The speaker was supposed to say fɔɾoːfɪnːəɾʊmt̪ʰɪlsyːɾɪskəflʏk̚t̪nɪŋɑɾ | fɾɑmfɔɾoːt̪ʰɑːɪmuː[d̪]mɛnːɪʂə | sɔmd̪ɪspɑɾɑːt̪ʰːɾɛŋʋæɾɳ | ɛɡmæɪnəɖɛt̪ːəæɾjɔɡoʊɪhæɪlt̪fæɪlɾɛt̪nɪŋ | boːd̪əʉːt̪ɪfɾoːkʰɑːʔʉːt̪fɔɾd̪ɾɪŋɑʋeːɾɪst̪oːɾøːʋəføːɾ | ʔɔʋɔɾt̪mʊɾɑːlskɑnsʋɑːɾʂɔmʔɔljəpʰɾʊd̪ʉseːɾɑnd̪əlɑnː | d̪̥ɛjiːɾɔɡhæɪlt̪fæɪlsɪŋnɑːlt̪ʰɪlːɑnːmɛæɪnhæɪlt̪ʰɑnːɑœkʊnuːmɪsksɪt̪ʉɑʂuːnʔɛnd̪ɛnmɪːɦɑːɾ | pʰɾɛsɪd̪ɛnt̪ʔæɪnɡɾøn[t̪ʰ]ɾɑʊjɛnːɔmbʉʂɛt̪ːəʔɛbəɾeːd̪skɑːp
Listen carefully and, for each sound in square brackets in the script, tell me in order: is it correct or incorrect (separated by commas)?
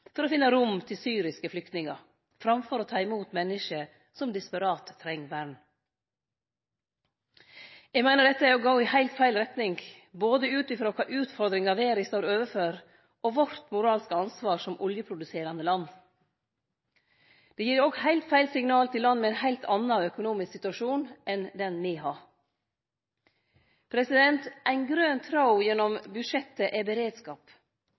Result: incorrect, correct